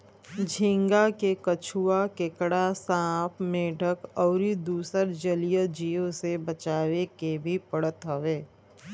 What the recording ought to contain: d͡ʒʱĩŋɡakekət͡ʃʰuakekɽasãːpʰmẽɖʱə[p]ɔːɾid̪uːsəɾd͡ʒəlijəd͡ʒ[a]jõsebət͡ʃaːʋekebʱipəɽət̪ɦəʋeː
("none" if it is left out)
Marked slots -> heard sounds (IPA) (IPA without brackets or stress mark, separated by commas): k, i